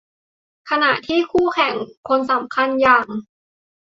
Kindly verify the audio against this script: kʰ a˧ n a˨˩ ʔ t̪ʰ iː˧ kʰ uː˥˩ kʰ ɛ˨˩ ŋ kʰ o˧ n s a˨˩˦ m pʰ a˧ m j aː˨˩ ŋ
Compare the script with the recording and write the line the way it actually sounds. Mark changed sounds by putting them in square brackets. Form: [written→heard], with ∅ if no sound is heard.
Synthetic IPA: kʰ a˧ n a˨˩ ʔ t̪ʰ [iː˧→iː˥˩] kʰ uː˥˩ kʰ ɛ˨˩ ŋ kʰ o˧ n s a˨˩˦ m [pʰ→kʰ] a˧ [m→n] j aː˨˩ ŋ